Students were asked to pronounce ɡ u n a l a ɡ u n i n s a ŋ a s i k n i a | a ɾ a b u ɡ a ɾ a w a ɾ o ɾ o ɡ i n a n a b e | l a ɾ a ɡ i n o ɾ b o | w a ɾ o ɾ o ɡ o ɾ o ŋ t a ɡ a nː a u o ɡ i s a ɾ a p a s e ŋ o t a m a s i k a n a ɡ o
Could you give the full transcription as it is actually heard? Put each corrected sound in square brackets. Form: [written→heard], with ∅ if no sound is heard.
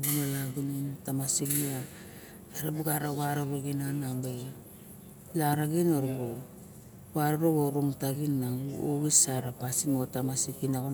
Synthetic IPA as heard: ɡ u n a l a ɡ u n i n [s→t] a [ŋ→m] a s i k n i a | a ɾ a b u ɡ a ɾ a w a ɾ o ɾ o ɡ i n a n a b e | l a ɾ a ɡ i n o ɾ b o | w a ɾ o ɾ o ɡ o ɾ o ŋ t a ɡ [a→i] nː a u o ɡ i s a ɾ a p a s [e→i] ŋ o t a m a s i k [a→i] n a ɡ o